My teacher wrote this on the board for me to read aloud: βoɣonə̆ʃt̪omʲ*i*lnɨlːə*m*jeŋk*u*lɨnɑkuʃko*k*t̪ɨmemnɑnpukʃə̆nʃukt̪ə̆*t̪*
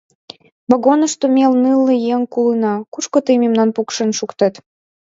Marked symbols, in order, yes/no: no, no, yes, no, yes

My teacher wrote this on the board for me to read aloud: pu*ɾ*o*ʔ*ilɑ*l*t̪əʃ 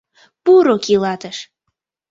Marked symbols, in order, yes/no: yes, no, no

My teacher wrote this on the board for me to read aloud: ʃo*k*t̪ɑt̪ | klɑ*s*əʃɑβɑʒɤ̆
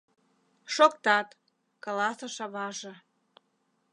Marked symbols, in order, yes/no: yes, yes

